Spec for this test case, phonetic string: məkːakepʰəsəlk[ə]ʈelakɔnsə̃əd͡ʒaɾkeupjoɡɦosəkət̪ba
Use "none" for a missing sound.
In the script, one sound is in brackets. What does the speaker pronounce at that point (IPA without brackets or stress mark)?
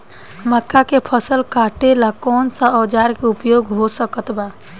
a